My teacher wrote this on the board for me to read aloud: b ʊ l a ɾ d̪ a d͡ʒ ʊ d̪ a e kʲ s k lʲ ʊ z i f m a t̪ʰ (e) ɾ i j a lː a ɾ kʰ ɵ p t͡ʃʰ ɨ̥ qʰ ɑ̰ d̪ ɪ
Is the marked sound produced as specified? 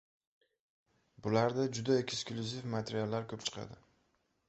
yes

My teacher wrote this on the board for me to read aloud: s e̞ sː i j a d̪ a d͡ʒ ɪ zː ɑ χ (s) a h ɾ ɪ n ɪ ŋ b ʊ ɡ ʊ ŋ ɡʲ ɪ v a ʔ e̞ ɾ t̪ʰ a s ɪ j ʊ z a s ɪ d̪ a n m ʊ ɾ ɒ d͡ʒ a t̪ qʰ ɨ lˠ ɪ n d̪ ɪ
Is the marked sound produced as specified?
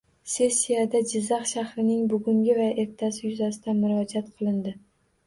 no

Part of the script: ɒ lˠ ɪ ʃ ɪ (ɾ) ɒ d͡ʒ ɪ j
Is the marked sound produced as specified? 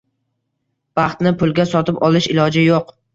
no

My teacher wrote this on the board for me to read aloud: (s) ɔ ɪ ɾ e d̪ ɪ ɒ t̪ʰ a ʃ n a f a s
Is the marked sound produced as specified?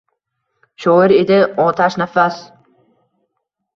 no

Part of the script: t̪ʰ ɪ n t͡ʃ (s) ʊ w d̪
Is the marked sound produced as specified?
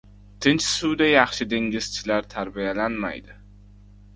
yes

